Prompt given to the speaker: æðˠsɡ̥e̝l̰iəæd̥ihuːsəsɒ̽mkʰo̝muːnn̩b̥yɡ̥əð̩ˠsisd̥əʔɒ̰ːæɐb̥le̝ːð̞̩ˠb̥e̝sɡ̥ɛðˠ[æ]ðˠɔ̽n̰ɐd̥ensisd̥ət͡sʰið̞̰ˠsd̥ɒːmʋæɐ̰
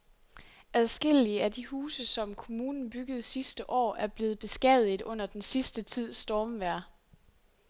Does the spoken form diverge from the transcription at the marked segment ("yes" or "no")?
yes